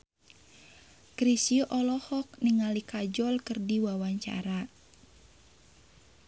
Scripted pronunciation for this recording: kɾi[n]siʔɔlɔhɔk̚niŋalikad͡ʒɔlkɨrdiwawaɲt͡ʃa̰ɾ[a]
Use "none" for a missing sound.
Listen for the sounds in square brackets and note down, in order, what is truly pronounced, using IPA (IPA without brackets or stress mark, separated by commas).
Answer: none, a